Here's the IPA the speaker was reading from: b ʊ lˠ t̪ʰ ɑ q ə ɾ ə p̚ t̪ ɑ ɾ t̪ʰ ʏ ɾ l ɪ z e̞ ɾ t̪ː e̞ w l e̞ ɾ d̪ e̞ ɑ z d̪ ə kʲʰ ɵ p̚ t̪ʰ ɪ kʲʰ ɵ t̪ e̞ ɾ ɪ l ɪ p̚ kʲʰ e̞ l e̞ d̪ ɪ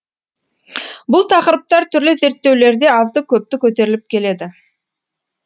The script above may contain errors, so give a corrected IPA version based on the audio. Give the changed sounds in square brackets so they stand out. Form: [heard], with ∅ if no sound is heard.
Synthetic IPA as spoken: b ʊ lˠ t̪ʰ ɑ q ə ɾ ə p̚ t̪ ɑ ɾ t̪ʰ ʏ ɾ l ɪ z e̞ ɾ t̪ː e̞ w l e̞ ɾ d̪ e̞ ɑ z d̪ ə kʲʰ ɵ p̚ [t̪] ɪ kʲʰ ɵ t̪ e̞ ɾ ɪ l ɪ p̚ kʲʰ e̞ l e̞ d̪ ɪ